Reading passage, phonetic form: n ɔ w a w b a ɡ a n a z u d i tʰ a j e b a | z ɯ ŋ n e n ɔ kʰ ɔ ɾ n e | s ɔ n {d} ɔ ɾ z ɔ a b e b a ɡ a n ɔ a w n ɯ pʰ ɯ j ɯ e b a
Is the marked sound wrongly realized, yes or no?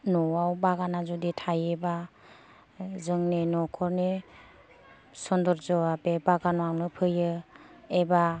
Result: no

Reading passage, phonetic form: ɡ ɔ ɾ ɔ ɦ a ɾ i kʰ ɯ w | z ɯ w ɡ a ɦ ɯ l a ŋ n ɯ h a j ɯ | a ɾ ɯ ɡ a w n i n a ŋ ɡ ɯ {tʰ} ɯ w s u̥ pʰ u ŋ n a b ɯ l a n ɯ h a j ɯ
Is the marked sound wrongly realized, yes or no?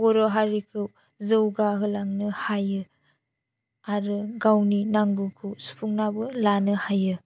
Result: yes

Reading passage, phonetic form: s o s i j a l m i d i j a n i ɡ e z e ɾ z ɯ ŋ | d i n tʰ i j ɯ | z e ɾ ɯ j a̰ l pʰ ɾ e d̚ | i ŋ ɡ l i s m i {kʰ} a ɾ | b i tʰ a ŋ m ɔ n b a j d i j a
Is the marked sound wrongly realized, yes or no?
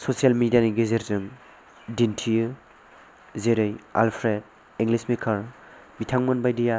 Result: no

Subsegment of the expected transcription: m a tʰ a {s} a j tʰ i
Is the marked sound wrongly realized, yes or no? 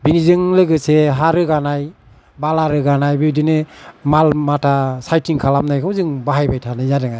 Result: no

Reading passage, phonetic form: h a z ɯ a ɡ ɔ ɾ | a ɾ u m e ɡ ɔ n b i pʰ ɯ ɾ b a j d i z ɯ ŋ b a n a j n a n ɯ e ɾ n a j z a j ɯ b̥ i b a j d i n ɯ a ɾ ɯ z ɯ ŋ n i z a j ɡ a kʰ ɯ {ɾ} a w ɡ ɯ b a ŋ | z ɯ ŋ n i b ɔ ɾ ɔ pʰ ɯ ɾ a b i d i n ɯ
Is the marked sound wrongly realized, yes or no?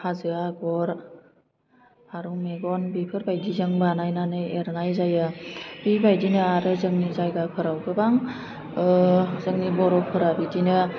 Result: no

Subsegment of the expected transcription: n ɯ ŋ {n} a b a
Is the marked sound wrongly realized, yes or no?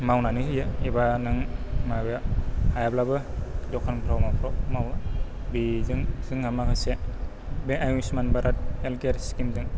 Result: yes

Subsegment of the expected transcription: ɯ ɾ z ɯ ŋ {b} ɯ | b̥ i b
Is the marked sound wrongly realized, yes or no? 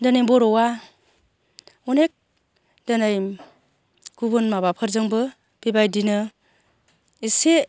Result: no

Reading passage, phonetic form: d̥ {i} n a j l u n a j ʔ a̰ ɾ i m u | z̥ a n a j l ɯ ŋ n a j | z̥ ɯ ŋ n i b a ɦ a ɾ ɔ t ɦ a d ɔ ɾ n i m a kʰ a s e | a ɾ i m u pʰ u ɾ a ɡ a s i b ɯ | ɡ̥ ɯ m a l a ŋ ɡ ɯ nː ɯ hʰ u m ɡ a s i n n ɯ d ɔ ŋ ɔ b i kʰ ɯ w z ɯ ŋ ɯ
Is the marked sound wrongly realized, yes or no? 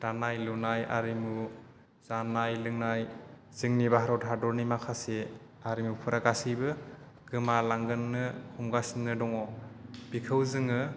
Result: yes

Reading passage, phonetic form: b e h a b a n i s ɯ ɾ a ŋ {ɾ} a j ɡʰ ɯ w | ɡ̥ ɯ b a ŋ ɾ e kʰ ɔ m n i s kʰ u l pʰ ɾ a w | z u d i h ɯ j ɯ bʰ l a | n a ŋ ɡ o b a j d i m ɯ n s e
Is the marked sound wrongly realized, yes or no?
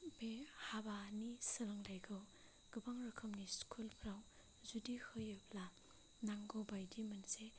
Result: yes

